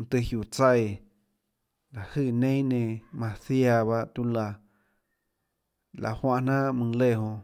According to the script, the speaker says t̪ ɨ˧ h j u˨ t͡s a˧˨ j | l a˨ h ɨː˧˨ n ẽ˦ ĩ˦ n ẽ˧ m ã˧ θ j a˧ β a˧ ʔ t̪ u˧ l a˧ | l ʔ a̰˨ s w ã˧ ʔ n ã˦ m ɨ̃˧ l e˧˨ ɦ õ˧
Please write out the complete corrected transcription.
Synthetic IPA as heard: t̪ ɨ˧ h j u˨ t͡s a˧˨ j | l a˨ h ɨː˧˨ n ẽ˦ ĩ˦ n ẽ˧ m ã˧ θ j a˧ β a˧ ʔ t̪ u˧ l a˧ | l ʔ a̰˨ h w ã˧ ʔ n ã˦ m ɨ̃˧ l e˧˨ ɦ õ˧